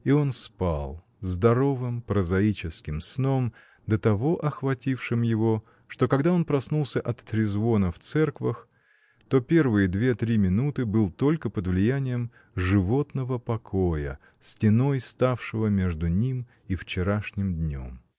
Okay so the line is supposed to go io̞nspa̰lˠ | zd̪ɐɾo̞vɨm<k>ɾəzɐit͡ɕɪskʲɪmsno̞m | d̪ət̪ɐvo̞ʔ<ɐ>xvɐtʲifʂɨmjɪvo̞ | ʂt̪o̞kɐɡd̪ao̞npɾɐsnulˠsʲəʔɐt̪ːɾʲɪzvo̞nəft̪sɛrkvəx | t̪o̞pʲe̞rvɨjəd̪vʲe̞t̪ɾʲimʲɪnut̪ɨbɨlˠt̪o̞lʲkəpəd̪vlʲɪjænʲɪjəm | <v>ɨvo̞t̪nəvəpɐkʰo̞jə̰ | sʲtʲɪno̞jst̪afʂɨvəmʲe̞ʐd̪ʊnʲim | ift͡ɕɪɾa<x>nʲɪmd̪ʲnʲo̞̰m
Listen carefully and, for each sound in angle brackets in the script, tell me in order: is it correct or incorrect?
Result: incorrect, correct, incorrect, incorrect

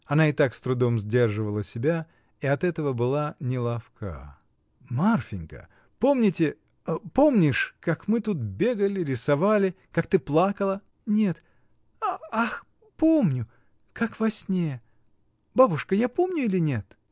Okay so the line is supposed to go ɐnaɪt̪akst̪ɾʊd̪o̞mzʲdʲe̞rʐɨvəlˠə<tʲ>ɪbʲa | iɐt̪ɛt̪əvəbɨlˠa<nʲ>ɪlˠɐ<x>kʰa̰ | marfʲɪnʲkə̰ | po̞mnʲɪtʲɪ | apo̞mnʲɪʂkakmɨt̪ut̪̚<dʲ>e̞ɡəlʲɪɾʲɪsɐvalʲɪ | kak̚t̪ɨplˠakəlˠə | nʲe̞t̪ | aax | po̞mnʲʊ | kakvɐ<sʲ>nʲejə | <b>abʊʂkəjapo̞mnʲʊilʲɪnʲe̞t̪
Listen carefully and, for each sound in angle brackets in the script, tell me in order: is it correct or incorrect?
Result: incorrect, correct, incorrect, incorrect, correct, correct

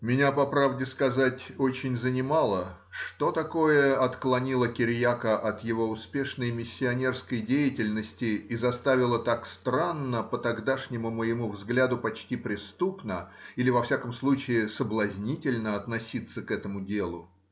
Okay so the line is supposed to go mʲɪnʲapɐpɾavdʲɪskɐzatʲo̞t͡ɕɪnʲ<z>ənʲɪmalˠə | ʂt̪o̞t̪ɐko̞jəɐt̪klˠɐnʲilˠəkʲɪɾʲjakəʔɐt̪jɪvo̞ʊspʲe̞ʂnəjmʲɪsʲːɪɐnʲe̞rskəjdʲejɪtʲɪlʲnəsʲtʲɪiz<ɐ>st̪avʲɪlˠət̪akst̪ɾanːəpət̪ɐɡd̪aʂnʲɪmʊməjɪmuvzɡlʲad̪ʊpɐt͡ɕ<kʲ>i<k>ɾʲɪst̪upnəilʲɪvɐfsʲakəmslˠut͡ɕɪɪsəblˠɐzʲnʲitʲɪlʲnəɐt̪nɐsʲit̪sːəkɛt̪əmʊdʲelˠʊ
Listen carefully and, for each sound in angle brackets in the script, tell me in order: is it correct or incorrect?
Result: correct, correct, incorrect, incorrect

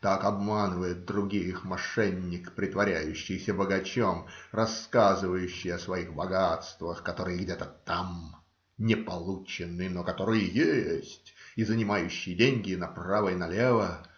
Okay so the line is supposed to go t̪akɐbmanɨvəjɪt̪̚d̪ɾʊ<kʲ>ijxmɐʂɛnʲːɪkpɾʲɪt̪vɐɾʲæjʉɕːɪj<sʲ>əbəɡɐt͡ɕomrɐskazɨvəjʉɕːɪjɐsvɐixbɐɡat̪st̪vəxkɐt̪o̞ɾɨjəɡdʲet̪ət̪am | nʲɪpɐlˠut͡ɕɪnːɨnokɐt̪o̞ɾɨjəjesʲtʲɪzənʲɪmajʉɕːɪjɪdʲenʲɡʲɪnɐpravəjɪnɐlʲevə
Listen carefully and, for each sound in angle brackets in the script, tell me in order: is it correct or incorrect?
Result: incorrect, correct

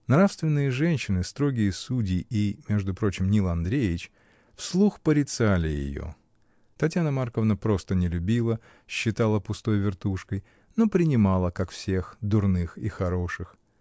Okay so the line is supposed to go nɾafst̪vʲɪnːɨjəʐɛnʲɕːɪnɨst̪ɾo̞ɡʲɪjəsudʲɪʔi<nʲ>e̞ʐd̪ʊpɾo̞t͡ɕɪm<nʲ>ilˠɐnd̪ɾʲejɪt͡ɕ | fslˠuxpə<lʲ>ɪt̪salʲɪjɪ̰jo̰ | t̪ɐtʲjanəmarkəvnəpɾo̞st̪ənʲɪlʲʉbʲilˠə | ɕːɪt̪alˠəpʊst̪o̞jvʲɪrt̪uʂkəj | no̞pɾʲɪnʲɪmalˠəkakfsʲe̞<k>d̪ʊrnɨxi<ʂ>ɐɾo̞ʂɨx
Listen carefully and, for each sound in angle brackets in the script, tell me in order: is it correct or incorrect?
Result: incorrect, correct, incorrect, incorrect, incorrect

